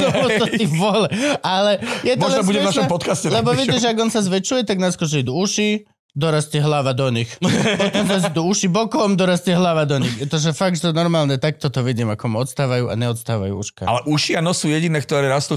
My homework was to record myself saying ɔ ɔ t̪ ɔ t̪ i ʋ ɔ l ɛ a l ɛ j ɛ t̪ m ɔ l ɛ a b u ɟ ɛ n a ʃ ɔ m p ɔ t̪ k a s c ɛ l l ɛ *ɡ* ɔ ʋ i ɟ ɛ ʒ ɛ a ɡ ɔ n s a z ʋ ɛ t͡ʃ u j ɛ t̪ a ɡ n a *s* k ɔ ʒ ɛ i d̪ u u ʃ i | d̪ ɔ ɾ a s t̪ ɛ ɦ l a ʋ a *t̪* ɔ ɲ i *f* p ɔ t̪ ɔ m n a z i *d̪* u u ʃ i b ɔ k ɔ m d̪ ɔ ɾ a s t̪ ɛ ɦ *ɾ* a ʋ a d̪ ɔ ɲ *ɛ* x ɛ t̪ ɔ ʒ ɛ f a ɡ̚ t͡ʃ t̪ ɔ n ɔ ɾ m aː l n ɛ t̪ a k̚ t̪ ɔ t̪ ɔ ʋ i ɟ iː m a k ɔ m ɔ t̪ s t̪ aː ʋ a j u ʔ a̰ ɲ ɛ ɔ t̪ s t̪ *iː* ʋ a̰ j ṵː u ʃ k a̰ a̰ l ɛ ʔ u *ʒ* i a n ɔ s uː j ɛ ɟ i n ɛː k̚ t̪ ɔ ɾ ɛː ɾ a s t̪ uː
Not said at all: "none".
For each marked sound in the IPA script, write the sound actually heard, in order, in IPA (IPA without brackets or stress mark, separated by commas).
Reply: b, s, d̪, x, d̪, l, i, aː, ʃ